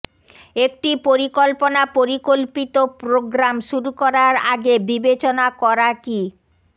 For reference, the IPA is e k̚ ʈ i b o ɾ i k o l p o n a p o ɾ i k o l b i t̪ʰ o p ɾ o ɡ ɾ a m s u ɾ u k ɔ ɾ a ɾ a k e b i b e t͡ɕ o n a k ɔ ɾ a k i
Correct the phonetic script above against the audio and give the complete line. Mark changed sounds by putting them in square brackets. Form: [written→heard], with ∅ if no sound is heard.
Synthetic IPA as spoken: e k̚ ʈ i [b→p] o ɾ i k o l p o n a p o ɾ i k o l [b→p] i [t̪ʰ→t̪] o p ɾ o ɡ ɾ a m [s→ʃ] u ɾ u k ɔ ɾ a ɾ a [k→ɡ] e b i b e t͡ɕ o n a k ɔ ɾ a k i